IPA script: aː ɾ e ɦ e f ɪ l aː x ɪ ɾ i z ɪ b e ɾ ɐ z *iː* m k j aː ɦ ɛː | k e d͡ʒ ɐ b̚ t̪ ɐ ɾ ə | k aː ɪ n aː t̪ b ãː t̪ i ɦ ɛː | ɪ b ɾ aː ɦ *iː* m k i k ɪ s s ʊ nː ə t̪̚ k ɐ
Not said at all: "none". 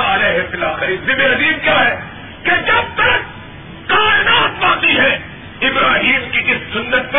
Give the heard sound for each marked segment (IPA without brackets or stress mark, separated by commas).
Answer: iː, iː